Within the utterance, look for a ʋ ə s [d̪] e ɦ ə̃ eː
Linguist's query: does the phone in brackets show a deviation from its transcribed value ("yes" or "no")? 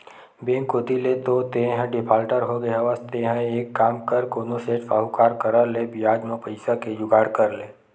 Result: yes